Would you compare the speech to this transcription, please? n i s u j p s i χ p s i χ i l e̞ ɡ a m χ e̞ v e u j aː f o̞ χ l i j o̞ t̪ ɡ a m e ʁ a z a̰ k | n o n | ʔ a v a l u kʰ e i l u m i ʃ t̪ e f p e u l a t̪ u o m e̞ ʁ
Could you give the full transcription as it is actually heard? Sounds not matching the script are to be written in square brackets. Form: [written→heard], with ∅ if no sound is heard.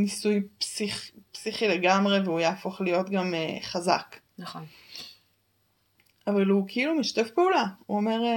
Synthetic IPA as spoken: n i s u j p s i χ p s i χ i l e̞ ɡ a m [χ→ʁ] e̞ v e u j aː f o̞ χ l i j o̞ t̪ ɡ a m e [ʁ→χ] a z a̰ k | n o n | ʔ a v a l u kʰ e i l u m i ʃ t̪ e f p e u l a [t̪→∅] u o m e̞ ʁ